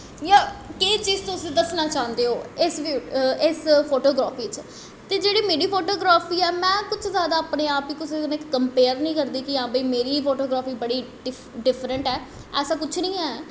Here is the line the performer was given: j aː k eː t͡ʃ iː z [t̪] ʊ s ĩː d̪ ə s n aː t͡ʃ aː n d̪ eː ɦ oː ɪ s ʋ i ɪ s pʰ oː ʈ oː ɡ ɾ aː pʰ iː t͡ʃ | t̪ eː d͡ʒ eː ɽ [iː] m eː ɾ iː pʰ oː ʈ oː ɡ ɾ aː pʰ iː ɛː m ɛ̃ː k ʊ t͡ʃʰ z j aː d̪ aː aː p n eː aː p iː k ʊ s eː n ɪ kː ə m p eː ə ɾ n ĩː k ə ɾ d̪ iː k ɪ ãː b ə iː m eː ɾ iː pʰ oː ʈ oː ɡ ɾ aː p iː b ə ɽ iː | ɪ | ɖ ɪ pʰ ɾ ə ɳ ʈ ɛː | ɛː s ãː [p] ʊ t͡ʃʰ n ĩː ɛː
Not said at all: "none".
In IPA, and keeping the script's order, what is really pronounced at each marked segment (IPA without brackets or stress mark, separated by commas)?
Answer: t̪, iː, k